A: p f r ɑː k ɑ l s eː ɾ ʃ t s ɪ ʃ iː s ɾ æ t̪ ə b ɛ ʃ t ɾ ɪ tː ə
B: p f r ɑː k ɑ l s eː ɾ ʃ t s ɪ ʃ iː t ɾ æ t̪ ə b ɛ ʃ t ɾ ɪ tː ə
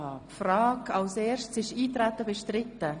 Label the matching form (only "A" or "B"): B